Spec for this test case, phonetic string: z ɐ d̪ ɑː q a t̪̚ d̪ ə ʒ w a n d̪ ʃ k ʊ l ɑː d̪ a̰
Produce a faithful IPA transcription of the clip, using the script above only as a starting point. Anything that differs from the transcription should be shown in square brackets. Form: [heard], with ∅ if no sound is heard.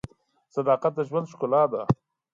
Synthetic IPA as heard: [s] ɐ d̪ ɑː q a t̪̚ d̪ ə ʒ w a n d̪ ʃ k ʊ l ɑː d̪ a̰